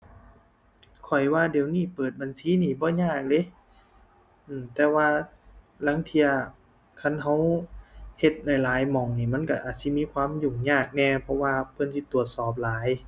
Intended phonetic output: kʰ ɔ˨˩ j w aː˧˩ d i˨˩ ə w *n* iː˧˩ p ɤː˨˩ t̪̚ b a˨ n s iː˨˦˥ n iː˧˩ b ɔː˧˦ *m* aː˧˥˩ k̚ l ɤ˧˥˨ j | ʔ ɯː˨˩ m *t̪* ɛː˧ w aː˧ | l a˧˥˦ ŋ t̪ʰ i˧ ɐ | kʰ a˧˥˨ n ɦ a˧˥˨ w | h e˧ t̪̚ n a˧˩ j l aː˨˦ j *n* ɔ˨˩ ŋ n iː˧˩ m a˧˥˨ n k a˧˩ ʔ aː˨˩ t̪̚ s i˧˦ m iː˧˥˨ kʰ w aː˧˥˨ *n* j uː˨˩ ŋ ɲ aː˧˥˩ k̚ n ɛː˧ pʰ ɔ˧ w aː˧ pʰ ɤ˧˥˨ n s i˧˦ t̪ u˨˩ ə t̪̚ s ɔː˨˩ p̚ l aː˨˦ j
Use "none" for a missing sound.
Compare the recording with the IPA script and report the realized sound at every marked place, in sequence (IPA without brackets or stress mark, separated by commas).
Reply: n, ɲ, t̪, m, m